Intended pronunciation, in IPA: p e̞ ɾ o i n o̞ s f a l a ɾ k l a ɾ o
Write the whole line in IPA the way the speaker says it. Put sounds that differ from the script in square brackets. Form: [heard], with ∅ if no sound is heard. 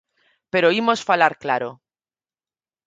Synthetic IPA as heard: p e̞ ɾ o i [m] o̞ s f a l a ɾ k l a ɾ o